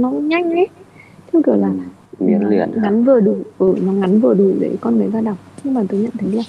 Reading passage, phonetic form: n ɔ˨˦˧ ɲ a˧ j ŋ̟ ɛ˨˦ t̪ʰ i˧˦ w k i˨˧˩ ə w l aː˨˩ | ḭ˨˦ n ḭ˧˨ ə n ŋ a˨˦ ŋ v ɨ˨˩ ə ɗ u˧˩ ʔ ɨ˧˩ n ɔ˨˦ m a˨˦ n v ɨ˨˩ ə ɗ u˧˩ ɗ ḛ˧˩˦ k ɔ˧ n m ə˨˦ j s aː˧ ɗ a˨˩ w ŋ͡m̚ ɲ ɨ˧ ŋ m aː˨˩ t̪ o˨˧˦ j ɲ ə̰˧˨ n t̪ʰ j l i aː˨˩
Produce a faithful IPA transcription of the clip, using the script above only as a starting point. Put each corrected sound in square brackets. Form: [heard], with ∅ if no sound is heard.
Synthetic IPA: n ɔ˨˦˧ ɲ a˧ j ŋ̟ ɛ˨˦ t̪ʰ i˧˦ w k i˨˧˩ ə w l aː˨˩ | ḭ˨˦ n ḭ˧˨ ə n ŋ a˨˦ [n] v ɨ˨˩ ə ɗ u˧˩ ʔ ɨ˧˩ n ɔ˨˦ [ŋ] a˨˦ n v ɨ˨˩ ə ɗ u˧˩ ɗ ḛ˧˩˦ k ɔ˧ n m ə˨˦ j [z] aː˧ ɗ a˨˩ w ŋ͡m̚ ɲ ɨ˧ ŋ m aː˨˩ t̪ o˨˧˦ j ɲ ə̰˧˨ n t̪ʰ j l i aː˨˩